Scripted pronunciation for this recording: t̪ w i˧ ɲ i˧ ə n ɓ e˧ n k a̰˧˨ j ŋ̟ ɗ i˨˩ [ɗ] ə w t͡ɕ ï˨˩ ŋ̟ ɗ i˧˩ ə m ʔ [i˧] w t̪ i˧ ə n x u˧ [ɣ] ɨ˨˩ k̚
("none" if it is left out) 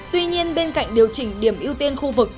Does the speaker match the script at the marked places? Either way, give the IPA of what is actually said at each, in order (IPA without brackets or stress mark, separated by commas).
none, i˧, v